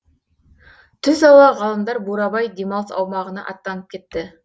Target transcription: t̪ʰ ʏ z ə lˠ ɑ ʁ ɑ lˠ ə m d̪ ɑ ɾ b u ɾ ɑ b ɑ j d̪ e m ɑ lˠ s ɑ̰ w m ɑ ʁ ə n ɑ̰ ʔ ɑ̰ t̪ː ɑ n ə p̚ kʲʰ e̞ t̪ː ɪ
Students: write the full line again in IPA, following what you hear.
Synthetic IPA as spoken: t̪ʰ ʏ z ɑ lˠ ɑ ʁ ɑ lˠ ə m d̪ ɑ ɾ b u ɾ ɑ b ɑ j d̪ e m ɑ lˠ s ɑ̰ w m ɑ ʁ ə n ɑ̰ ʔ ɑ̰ t̪ː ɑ n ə p̚ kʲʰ e̞ t̪ː ɪ